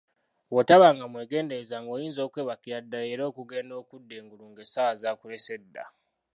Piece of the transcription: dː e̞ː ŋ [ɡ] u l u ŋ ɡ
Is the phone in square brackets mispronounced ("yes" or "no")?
no